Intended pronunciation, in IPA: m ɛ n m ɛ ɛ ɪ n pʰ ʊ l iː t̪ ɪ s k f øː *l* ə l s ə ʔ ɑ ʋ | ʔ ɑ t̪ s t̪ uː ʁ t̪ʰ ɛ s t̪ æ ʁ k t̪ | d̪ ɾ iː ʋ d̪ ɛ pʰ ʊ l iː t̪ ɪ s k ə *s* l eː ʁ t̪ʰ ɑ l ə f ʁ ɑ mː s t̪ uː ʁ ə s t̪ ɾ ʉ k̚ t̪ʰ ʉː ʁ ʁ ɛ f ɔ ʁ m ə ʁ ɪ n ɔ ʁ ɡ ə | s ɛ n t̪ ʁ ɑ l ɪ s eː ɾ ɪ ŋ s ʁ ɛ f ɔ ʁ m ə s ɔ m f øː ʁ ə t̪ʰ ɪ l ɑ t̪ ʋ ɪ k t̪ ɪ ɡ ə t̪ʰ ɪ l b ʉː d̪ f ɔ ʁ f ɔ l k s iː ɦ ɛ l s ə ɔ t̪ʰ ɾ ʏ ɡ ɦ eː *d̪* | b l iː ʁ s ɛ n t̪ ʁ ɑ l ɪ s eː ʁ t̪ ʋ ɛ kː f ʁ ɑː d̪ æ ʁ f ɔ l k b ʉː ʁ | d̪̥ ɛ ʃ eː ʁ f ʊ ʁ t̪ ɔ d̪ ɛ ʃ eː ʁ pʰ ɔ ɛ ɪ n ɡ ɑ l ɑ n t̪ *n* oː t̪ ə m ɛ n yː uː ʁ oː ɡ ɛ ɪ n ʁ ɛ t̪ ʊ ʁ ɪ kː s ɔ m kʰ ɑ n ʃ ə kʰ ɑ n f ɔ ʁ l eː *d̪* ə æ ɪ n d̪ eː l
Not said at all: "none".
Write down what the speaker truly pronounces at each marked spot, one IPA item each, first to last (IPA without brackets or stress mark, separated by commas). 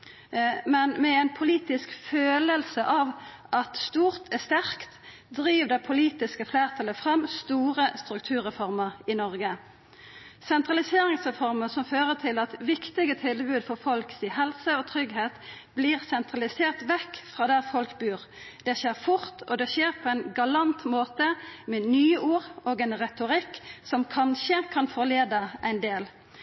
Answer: l, f, t̪, m, d̪